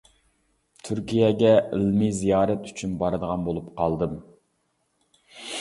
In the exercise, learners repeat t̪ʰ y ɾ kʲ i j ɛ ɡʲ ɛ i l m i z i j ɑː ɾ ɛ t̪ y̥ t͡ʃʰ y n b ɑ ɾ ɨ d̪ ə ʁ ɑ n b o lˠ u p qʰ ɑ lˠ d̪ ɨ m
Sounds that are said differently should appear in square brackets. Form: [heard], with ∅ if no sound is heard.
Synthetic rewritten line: t̪ʰ y ɾ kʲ i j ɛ ɡʲ ɛ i l m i z i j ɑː ɾ ɛ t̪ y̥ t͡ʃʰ y n b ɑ ɾ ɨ d̪ ə ʁ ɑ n b o lˠ u p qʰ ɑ lˠ d̪ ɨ m